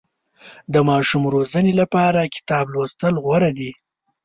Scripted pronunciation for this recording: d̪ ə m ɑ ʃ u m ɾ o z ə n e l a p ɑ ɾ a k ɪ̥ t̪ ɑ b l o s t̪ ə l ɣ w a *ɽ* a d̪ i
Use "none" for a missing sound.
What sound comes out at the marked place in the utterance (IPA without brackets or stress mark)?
ɾ